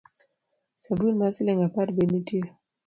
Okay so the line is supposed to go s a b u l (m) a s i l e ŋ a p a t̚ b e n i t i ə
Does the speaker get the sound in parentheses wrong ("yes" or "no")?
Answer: no